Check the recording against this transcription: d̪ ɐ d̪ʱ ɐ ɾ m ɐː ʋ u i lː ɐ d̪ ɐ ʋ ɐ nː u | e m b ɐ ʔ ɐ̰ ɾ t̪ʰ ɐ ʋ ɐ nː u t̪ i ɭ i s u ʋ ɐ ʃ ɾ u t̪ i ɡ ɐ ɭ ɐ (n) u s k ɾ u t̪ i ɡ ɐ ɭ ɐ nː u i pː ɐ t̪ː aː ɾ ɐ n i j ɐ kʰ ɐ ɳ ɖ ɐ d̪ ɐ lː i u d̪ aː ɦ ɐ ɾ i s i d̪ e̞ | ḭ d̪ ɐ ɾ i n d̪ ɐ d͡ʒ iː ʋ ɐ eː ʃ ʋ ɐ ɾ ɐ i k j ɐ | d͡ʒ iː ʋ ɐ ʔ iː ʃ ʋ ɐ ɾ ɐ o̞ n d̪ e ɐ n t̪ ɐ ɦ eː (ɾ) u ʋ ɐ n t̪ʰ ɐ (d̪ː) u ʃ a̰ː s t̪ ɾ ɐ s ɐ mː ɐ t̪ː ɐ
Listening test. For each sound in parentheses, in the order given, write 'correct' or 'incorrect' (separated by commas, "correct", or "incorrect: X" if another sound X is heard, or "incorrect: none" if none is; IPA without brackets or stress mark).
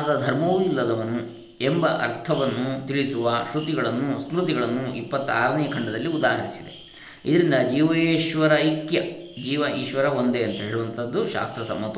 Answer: incorrect: nː, incorrect: ɭ, correct